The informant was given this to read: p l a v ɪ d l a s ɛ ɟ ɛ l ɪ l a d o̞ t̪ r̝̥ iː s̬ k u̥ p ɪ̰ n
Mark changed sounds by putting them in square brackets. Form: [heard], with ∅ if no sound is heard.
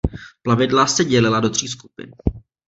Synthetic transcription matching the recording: p l a v ɪ d l a s ɛ ɟ ɛ l ɪ l a d o̞ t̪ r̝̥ iː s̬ k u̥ p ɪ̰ n

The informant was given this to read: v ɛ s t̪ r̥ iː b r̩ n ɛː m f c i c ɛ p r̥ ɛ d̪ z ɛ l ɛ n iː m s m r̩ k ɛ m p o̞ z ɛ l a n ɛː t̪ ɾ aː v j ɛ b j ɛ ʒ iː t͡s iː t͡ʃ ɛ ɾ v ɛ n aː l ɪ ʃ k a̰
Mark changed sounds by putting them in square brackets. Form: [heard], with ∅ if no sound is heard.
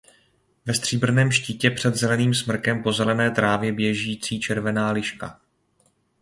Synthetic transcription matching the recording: v ɛ s t̪ r̥ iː b r̩ n ɛː m [ʃ] c i c ɛ p r̥ ɛ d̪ z ɛ l ɛ n iː m s m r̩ k ɛ m p o̞ z ɛ l [ɛ] n ɛː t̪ ɾ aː v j ɛ b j ɛ ʒ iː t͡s iː t͡ʃ ɛ ɾ v ɛ n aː l ɪ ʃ k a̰

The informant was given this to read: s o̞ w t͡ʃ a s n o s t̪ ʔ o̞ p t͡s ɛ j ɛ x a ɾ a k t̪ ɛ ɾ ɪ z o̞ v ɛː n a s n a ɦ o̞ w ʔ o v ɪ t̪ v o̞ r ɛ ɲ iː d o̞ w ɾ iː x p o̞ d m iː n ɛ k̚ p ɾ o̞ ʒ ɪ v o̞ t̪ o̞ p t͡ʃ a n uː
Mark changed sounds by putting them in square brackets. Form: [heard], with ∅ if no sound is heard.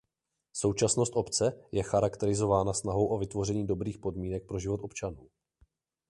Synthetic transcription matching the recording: s o̞ w t͡ʃ a s n o s t̪ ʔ o̞ p t͡s ɛ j ɛ x a ɾ a k t̪ ɛ ɾ ɪ z o̞ v [aː] n a s n a ɦ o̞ w ʔ o v ɪ t̪ v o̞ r ɛ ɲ iː d o̞ [b] ɾ iː x p o̞ d m iː n ɛ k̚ p ɾ o̞ ʒ ɪ v o̞ t̪ o̞ p t͡ʃ a n uː

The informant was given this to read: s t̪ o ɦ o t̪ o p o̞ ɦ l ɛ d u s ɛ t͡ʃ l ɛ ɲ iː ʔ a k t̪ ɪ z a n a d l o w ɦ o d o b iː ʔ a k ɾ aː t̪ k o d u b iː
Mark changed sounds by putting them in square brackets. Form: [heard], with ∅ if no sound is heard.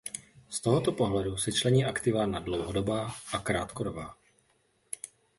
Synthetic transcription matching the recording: s t̪ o ɦ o t̪ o p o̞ ɦ l ɛ d u s ɛ t͡ʃ l ɛ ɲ iː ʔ a k t̪ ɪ [v] a n a d l o w ɦ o d o b [aː] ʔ a k ɾ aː t̪ k o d [o] b [aː]

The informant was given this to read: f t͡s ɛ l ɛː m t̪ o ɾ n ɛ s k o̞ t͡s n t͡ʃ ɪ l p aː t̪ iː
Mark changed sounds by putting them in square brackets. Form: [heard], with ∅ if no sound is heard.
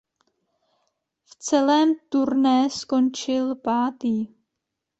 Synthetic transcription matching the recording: f t͡s ɛ l ɛː m t̪ [u] ɾ n ɛ s k o̞ [∅] n t͡ʃ ɪ l p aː t̪ iː

